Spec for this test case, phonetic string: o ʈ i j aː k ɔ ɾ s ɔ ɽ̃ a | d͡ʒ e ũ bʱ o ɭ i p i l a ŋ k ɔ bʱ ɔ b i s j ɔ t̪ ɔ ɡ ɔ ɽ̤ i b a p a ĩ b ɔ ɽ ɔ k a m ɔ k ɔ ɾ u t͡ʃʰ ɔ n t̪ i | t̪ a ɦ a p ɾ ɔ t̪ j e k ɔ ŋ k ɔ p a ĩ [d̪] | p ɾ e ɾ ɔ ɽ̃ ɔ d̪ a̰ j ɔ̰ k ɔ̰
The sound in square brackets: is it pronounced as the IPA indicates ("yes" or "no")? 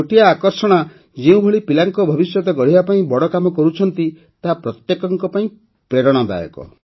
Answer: no